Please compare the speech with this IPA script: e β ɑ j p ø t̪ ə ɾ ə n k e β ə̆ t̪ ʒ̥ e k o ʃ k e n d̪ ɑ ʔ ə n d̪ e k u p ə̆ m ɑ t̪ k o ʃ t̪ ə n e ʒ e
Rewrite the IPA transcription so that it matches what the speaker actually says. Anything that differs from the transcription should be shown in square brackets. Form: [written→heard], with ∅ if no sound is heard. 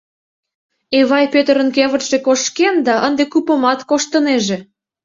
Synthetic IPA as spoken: e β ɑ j p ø t̪ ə ɾ ə n k e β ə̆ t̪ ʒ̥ e k o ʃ k e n d̪ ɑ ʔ ə n d̪ e k u p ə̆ m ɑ t̪ k o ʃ t̪ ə n e ʒ e